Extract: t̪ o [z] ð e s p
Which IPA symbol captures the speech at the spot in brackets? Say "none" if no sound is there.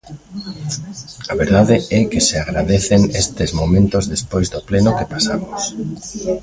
z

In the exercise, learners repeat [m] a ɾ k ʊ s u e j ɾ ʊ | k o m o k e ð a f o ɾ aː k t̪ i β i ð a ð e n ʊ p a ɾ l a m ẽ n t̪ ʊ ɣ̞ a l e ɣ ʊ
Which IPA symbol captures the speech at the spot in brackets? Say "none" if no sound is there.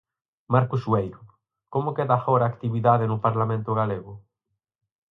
m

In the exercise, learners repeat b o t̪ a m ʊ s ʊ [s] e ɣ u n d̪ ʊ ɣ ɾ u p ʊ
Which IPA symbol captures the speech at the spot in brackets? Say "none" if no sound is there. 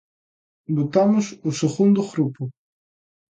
s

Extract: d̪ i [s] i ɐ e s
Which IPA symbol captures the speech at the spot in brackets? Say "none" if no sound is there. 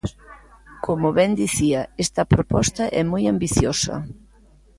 θ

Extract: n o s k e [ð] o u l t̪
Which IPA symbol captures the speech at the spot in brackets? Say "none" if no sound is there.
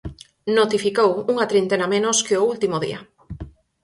none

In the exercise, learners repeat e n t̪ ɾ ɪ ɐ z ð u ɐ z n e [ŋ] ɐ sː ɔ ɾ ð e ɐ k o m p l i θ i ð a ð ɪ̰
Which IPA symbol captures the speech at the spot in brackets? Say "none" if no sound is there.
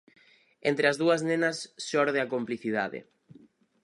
n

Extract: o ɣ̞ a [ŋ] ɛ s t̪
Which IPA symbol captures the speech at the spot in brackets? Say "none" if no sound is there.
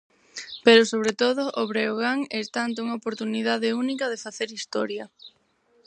ŋ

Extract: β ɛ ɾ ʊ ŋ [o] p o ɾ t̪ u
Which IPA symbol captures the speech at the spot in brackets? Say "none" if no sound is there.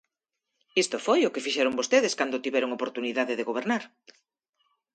o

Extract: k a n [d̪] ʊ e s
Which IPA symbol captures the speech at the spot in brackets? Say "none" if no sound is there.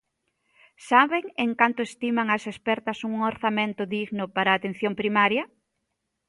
t̪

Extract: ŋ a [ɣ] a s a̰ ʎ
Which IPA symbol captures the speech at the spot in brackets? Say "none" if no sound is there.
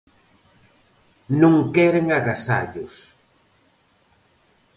ɣ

